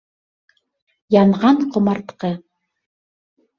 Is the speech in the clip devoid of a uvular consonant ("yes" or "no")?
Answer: no